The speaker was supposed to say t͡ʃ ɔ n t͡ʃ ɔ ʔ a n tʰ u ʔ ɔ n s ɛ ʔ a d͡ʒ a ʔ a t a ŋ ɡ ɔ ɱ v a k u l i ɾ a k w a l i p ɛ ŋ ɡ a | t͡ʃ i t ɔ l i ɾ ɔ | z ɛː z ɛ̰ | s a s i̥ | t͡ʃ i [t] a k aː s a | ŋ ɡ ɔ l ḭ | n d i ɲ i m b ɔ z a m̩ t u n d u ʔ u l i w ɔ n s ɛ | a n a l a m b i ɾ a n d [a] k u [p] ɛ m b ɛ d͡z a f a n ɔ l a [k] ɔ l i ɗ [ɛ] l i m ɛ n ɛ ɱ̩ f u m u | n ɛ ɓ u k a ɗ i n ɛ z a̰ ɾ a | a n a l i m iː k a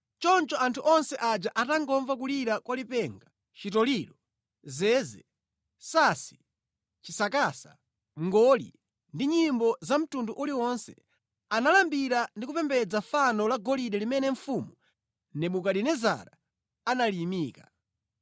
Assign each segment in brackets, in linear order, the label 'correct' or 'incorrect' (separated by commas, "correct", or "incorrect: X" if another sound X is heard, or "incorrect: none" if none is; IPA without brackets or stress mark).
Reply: incorrect: s, incorrect: i, correct, incorrect: ɡ, correct